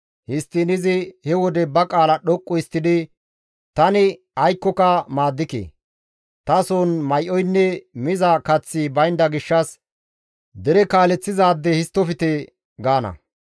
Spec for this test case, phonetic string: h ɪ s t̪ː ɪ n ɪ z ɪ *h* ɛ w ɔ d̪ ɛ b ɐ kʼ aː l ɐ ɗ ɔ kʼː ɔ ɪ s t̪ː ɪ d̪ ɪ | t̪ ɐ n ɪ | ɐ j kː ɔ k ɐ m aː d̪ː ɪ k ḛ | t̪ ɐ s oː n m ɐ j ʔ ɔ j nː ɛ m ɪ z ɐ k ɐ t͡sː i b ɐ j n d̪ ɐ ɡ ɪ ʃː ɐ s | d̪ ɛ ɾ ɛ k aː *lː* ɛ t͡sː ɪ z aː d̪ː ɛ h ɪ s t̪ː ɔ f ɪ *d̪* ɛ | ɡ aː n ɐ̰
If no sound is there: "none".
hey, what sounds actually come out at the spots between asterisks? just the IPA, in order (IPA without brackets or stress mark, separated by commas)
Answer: h, l, t̪